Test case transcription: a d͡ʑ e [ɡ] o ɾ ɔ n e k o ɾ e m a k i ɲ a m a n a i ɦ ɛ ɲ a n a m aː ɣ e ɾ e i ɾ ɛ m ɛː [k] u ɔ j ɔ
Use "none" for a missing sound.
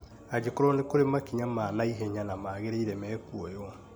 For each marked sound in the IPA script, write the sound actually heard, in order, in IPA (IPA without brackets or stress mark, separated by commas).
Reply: k, k